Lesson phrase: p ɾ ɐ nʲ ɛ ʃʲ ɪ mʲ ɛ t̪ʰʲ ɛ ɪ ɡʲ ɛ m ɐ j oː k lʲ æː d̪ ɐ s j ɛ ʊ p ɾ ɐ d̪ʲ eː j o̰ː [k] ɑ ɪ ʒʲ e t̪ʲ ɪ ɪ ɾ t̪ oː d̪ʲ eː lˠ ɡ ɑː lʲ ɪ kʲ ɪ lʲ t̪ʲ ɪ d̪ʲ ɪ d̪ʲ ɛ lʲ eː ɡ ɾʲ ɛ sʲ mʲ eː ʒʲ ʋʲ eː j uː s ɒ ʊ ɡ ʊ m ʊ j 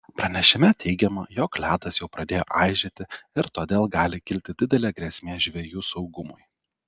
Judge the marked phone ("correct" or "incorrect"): incorrect